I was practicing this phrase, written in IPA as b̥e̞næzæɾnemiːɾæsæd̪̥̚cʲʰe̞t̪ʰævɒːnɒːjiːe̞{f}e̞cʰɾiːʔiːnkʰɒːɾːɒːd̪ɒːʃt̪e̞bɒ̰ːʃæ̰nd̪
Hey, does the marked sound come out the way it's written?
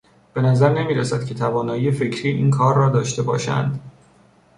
yes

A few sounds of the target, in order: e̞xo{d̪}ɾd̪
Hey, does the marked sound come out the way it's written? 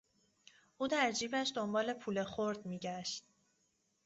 no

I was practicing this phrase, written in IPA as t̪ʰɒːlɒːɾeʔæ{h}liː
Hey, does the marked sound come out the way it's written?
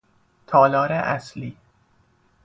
no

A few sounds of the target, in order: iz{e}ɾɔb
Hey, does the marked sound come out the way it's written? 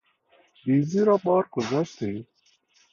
no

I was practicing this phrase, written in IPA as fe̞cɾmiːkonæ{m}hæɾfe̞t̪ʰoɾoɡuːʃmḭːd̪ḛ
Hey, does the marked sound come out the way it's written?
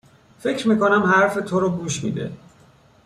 yes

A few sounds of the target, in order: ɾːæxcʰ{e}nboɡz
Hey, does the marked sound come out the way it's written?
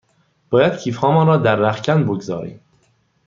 no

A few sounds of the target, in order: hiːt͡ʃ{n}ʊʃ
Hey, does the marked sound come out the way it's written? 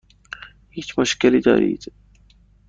no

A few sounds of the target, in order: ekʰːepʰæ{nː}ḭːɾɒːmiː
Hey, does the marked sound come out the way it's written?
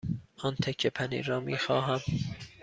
no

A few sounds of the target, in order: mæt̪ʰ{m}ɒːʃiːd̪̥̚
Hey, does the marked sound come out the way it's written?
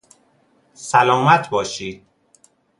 no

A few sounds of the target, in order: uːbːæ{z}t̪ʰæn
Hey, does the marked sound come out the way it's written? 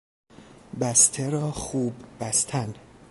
no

